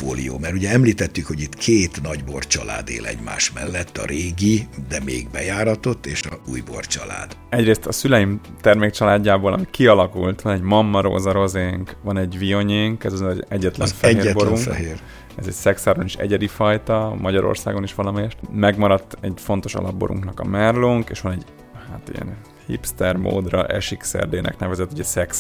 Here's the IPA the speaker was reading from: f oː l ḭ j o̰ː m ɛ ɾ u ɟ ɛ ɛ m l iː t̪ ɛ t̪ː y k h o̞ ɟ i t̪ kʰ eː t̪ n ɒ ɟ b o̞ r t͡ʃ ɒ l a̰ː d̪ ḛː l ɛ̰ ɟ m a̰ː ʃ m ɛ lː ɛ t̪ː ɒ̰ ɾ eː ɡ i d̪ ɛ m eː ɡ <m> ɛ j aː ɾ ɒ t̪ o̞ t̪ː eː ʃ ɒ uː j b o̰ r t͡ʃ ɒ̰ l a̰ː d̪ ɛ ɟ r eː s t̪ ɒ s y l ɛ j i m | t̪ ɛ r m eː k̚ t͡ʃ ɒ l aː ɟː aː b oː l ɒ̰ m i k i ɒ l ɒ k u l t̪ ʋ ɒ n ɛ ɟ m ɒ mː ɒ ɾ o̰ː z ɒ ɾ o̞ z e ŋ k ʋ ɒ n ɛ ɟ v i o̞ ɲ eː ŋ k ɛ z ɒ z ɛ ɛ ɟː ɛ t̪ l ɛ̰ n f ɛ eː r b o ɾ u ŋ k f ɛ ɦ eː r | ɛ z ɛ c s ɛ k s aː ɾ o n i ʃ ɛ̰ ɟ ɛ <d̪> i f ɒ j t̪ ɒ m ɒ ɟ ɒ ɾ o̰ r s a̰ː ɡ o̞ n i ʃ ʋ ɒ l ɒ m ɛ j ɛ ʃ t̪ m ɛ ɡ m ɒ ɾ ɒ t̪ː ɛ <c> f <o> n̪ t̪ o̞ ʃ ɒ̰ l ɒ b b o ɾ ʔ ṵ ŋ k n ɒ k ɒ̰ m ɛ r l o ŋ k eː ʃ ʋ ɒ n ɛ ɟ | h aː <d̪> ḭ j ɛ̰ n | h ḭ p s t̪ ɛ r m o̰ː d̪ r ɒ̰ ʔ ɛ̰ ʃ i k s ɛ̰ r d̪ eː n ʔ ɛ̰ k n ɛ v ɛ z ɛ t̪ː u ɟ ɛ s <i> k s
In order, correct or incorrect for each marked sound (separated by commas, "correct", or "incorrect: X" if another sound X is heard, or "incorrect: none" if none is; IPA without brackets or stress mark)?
incorrect: b, correct, incorrect: ɟ, correct, incorrect: t̪, incorrect: ɛ